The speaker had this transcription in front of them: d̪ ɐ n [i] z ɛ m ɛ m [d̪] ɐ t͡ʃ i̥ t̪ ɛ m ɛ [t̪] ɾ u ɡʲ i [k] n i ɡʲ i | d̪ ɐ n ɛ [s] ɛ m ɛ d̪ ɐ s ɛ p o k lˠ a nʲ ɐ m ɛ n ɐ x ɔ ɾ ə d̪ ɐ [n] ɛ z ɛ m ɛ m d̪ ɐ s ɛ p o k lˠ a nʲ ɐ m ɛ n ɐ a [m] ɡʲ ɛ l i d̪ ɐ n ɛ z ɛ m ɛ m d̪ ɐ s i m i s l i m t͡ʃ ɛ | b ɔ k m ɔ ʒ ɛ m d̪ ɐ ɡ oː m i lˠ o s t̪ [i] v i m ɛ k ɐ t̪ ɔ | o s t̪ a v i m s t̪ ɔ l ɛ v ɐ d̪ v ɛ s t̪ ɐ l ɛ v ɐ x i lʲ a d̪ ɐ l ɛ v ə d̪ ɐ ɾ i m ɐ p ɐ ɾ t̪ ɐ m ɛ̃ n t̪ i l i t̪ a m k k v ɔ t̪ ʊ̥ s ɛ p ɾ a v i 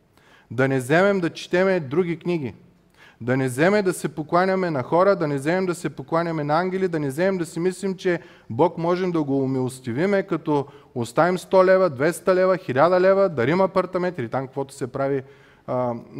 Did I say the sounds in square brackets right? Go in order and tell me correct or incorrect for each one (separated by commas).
incorrect, correct, incorrect, correct, incorrect, correct, incorrect, correct